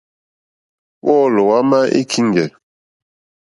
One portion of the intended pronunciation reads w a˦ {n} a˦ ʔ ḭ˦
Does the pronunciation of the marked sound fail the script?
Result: yes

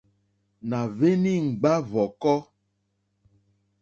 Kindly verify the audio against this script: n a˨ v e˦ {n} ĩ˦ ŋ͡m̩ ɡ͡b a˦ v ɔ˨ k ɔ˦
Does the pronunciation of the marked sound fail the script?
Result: no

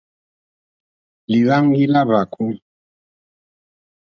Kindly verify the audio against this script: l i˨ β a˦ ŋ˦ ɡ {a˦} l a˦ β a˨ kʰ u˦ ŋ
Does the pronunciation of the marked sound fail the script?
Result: yes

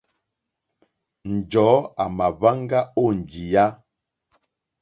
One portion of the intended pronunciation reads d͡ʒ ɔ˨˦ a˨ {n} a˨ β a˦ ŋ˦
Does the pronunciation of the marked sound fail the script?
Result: yes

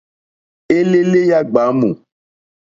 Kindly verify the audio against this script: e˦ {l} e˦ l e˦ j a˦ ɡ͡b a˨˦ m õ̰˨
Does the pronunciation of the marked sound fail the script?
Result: no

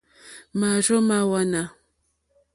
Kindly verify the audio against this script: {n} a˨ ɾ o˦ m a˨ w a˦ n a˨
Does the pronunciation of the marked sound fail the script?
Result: yes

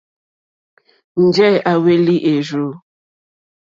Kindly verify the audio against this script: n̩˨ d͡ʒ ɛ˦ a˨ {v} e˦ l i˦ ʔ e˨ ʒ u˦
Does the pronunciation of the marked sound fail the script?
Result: yes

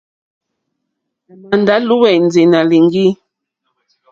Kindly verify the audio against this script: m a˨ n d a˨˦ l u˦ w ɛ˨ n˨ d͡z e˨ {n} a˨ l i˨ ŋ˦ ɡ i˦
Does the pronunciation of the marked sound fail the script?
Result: no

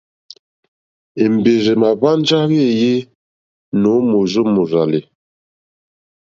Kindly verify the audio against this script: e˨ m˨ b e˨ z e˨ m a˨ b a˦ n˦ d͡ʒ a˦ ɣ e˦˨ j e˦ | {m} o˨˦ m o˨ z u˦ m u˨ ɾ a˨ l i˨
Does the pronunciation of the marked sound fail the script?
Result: yes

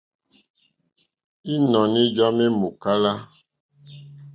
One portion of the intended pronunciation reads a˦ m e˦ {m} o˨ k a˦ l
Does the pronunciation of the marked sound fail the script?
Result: no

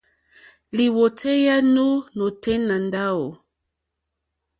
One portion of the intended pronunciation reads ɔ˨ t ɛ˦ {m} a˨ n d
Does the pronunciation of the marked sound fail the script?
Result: yes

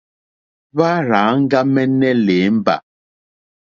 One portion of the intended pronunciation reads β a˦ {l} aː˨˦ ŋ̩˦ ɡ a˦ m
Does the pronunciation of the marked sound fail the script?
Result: yes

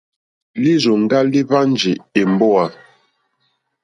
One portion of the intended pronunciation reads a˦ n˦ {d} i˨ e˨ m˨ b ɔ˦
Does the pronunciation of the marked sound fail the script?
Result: yes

